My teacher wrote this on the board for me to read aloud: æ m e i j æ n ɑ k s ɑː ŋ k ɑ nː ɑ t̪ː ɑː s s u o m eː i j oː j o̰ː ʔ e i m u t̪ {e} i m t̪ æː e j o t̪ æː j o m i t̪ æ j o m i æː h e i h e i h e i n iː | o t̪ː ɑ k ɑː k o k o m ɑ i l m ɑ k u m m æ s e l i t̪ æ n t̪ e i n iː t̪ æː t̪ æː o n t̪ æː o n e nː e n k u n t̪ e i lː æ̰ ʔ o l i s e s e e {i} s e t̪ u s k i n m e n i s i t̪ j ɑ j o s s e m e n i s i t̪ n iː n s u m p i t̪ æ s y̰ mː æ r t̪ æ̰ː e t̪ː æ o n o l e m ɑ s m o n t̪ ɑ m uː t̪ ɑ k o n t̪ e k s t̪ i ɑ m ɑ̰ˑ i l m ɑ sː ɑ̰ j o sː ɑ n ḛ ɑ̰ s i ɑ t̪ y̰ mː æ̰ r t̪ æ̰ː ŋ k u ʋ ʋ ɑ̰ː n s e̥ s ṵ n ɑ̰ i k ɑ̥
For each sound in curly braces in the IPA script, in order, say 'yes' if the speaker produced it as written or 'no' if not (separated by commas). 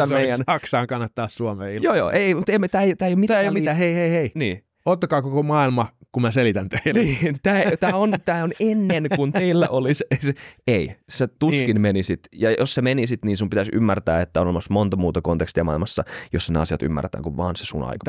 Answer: yes, yes